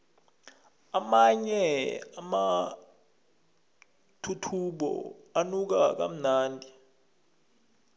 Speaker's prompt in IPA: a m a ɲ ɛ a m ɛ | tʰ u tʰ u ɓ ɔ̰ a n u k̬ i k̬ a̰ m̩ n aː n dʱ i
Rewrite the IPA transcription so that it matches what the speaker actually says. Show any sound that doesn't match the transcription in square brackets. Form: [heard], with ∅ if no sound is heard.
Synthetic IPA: a m a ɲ ɛ a m [a] | tʰ u tʰ u ɓ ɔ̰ a n u k̬ [a] k̬ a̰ m̩ n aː n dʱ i